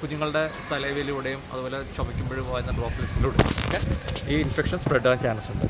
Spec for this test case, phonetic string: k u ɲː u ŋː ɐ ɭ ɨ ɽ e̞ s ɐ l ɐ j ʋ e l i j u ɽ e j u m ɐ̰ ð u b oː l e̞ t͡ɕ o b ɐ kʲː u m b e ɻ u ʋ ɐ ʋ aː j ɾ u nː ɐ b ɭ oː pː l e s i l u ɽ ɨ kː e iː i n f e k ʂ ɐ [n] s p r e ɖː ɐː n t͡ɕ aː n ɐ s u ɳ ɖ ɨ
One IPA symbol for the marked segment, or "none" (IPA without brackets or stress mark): n